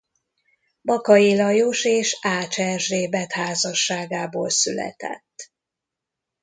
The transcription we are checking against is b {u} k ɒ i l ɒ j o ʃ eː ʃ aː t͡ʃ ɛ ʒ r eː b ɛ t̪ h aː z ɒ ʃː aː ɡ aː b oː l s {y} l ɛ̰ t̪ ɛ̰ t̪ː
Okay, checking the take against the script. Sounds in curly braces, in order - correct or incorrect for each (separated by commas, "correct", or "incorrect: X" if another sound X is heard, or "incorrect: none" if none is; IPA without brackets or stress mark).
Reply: incorrect: ɒ, correct